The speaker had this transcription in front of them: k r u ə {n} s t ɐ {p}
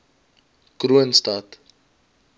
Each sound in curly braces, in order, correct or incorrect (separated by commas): correct, incorrect